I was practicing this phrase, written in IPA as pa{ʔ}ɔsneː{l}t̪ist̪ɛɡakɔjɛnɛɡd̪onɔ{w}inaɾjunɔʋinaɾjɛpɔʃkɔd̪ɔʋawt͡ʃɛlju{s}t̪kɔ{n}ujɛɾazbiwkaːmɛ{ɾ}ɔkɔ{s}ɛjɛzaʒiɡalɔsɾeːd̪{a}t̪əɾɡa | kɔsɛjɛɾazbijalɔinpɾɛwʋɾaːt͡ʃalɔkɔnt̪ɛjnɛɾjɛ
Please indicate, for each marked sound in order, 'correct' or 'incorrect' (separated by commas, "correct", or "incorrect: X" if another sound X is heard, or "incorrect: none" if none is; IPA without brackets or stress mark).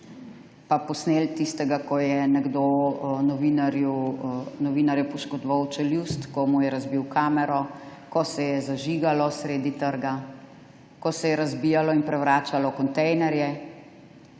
incorrect: p, correct, incorrect: ʋ, correct, incorrect: m, correct, correct, incorrect: i